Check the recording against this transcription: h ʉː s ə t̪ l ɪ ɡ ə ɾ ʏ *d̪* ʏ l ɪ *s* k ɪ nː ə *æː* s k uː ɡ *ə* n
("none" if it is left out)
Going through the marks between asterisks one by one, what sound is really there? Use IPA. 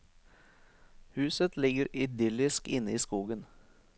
d̪, s, iː, ə

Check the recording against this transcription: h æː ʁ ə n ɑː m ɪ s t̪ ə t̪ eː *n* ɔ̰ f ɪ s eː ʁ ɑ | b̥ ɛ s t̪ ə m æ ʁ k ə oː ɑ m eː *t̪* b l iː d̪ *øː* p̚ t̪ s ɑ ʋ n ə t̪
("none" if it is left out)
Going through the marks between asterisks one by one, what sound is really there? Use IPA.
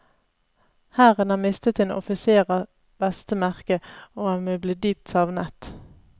n, none, yː

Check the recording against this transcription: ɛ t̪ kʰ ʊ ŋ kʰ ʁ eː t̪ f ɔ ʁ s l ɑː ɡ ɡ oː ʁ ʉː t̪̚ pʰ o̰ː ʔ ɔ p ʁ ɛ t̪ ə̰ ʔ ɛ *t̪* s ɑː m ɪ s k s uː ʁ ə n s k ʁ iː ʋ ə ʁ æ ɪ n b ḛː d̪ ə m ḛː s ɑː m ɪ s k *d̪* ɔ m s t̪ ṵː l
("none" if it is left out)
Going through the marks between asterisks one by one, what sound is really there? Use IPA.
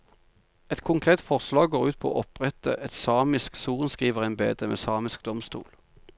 t̪, d̪

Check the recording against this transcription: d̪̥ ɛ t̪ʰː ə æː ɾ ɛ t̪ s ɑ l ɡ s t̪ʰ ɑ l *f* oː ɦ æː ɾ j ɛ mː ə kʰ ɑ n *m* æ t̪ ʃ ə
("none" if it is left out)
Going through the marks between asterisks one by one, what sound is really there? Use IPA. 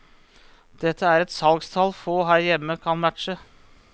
f, m

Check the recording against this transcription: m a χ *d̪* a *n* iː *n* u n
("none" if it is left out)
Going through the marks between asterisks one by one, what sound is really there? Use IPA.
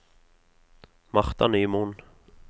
t̪, n, m

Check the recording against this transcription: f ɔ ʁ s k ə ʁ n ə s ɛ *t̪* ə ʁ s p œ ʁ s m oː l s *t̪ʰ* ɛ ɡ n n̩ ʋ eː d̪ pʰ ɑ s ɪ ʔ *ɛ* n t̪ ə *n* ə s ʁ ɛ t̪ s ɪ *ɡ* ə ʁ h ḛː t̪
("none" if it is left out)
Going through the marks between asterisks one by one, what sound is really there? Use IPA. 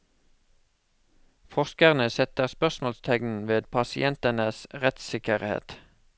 t̪, t̪ʰ, ɛ, n, k

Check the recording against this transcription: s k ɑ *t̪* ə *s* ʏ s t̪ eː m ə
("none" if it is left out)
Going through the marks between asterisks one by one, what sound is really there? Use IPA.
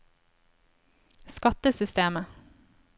t̪, s

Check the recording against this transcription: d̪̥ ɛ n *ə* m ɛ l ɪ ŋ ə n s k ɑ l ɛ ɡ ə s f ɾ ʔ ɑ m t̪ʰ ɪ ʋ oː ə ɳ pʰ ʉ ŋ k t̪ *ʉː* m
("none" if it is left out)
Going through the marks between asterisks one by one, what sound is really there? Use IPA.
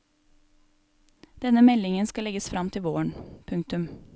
ə, ʉ

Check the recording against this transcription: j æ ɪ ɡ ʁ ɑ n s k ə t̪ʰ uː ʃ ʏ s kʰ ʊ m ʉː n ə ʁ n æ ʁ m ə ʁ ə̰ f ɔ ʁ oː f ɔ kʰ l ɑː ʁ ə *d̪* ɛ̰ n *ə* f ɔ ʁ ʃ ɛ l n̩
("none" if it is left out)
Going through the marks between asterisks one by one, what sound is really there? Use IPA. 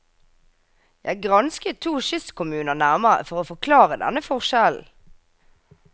d̪, ə

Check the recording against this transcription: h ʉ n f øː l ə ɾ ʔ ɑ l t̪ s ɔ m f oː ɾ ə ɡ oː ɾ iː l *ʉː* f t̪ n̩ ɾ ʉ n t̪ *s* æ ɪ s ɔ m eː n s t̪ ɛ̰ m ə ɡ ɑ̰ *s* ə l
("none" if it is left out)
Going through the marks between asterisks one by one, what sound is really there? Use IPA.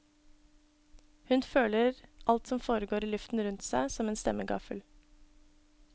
ʉ, s, f

